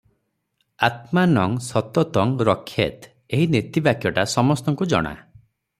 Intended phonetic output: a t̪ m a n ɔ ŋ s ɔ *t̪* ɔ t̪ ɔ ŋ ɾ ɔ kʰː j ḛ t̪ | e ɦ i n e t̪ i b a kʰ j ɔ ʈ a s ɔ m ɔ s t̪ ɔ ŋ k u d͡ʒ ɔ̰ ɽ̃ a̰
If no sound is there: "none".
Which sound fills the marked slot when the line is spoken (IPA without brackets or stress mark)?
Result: t̪